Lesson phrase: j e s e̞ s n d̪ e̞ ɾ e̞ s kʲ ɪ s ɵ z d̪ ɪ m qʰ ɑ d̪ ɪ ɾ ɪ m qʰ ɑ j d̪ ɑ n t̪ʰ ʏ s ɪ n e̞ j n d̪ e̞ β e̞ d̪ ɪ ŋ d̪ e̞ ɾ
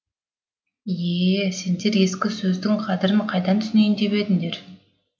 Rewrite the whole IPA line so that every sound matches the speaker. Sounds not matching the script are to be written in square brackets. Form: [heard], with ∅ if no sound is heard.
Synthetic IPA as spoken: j e s e̞ [∅] n d̪ e̞ ɾ e̞ s kʲ ɪ s ɵ z d̪ ɪ [ŋ] qʰ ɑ d̪ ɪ ɾ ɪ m qʰ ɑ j d̪ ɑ n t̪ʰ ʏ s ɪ n e̞ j n d̪ e̞ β e̞ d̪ ɪ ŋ d̪ e̞ ɾ